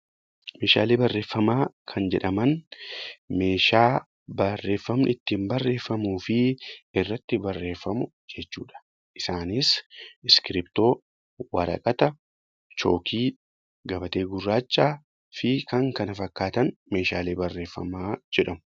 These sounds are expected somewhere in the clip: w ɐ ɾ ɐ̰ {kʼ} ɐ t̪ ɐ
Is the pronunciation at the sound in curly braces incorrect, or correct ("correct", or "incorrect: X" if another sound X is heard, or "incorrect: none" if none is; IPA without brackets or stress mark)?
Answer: correct